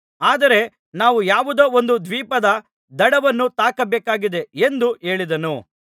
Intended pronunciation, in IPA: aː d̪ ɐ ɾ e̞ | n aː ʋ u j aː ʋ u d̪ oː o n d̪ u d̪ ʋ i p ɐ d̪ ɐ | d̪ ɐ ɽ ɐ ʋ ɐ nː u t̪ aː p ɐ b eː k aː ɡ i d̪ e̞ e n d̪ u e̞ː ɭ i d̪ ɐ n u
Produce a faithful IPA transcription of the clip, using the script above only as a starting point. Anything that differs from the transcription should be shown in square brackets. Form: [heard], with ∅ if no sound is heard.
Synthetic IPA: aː d̪ ɐ ɾ e̞ | n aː ʋ u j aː ʋ u d̪ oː o n d̪ u d̪ ʋ [iː] p ɐ d̪ ɐ | d̪ ɐ ɽ ɐ ʋ ɐ nː u t̪ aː [k] ɐ b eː k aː ɡ i d̪ e̞ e n d̪ u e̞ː ɭ i d̪ ɐ n u